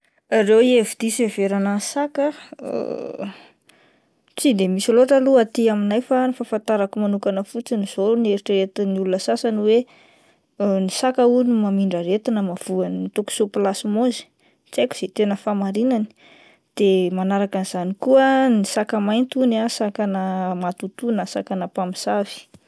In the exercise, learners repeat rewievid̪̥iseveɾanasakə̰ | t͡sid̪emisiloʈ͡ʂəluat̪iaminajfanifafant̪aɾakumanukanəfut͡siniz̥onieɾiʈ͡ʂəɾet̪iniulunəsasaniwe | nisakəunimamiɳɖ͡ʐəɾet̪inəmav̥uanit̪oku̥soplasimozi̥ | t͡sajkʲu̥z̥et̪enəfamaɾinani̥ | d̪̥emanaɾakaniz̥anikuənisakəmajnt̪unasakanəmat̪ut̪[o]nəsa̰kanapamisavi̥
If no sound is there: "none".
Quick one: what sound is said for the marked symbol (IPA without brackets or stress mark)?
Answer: u